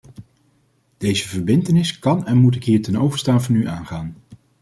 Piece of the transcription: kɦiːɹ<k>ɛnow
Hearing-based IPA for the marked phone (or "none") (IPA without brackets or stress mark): t